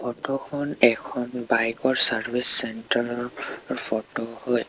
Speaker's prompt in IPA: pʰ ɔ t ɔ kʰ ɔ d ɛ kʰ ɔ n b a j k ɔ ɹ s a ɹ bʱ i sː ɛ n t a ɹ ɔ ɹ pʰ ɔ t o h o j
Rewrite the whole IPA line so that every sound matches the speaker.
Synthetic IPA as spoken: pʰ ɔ t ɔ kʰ ɔ n ɛ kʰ ɔ n b a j k ɔ ɹ s a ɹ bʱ i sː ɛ n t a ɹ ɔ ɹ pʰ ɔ t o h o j